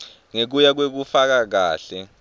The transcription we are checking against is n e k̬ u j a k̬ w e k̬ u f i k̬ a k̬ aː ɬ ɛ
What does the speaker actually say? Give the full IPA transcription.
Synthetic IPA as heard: ŋ e k̬ u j a k̬ w e k̬ u f a k̬ a k̬ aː ɬ ɛ